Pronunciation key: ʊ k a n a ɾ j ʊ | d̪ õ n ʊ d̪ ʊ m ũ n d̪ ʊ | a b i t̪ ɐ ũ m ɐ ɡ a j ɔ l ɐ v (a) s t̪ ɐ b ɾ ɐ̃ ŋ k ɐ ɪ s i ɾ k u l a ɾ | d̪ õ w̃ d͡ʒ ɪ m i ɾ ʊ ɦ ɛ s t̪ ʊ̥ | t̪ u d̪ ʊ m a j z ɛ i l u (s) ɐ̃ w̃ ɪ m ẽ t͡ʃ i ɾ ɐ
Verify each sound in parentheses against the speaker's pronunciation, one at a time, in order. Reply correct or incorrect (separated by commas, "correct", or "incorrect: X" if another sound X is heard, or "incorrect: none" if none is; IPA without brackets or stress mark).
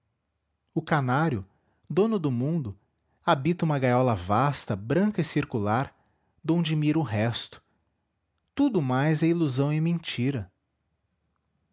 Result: correct, incorrect: z